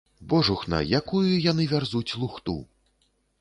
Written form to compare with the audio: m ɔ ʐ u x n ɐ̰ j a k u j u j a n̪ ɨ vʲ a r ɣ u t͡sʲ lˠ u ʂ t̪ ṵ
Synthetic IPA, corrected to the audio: b ɔ ʐ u x n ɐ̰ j a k u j u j a n̪ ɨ vʲ a r z u t͡sʲ lˠ u x t̪ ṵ